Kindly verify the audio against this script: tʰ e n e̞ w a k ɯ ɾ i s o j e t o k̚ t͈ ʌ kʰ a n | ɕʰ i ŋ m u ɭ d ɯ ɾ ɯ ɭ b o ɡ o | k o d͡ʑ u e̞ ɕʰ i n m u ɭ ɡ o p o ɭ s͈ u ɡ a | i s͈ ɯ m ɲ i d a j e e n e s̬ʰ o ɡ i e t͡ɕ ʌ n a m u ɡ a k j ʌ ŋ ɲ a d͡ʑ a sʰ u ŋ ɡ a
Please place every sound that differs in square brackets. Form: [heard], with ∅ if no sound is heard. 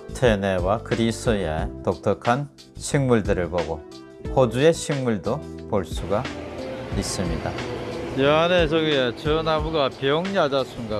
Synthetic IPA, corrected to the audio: tʰ e n e̞ w a k ɯ ɾ i s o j e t o k̚ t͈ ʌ kʰ a n | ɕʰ i ŋ m u ɭ d ɯ ɾ ɯ ɭ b o ɡ o | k o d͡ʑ u e̞ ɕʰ i [ŋ] m u ɭ [d] o p o ɭ s͈ u ɡ a | i s͈ ɯ m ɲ i d a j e [a] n e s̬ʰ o ɡ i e t͡ɕ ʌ n a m u ɡ a [p] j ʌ ŋ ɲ a d͡ʑ a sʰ u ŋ ɡ a